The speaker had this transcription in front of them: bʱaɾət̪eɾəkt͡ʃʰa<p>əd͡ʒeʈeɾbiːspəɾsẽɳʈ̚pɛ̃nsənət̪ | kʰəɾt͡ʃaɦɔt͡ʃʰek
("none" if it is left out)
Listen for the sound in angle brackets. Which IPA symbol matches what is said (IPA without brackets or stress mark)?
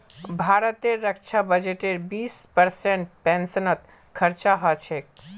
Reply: b